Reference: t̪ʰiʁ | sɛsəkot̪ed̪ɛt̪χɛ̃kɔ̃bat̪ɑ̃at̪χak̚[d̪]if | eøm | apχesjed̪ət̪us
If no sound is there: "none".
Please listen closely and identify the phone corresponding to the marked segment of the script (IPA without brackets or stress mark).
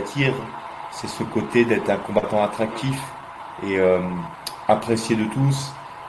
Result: t̪